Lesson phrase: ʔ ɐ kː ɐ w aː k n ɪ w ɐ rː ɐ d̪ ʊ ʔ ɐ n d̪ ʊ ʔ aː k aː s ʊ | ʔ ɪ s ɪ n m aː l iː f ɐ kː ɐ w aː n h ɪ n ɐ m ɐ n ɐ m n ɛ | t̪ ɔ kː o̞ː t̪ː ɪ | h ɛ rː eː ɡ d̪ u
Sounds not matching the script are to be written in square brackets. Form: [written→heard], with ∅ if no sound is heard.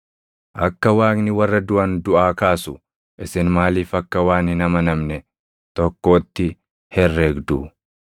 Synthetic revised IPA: ʔ ɐ kː ɐ w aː k n ɪ w ɐ rː ɐ d̪ ʊ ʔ ɐ n d̪ ʊ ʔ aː k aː s ʊ | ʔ ɪ s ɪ n m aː l iː f ɐ kː ɐ w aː n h ɪ n ɐ m ɐ n ɐ m n ɛ | t̪ ɔ kː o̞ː t̪ː ɪ | h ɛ rː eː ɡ d̪ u